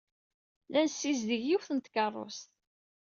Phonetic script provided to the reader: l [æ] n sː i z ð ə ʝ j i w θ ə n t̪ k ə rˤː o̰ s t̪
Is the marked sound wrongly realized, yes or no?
no